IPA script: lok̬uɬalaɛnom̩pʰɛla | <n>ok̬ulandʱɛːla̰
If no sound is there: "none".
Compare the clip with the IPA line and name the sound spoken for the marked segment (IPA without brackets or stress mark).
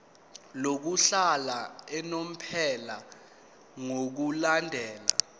ŋ